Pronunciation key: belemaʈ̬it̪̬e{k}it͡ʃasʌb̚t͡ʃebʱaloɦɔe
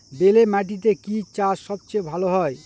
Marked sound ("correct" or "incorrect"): correct